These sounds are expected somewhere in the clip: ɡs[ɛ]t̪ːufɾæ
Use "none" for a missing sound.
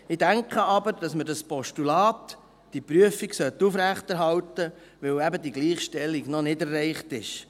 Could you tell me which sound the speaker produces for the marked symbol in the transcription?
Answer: œ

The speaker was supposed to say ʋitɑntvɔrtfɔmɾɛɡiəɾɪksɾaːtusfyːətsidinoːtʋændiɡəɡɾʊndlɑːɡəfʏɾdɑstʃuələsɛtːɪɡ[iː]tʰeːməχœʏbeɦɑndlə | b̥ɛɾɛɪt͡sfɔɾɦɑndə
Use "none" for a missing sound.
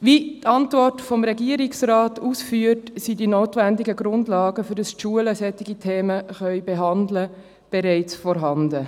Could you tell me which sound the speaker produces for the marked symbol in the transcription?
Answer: i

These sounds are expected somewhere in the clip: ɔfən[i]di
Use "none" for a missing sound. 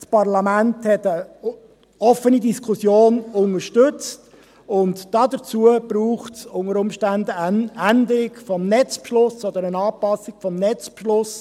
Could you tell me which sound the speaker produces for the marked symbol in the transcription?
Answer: i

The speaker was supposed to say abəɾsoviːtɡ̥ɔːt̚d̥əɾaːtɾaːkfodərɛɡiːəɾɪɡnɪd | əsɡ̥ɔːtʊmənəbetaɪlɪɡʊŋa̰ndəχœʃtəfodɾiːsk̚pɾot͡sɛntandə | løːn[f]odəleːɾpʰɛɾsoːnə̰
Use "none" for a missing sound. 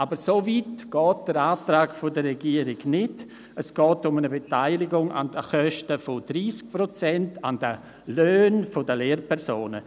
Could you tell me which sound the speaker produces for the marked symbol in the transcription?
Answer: f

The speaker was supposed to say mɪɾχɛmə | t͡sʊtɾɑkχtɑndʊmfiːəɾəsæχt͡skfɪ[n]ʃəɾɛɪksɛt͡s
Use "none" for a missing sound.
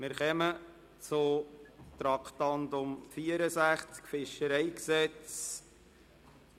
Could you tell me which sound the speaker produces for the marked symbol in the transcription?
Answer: none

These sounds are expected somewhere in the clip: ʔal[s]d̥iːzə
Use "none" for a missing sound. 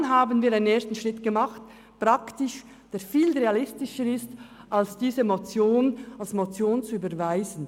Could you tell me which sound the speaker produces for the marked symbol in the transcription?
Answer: s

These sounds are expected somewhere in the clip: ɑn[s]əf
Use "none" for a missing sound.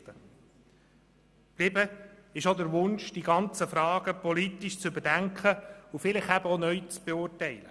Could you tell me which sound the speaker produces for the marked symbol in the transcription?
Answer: t͡s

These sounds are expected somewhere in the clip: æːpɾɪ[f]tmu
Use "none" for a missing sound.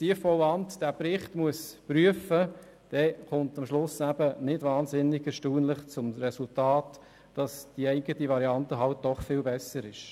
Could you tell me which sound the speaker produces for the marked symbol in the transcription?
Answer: χ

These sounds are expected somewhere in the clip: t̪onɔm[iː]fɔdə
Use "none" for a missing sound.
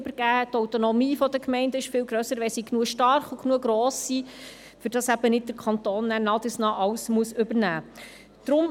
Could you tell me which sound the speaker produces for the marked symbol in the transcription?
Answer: iː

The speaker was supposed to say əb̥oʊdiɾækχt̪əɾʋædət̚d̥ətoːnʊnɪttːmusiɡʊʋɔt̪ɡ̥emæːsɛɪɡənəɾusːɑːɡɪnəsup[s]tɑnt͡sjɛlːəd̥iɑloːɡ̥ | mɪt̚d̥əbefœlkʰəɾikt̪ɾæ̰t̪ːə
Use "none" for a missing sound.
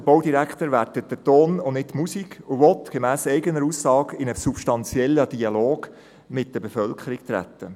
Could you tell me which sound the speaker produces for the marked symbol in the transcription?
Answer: ʃ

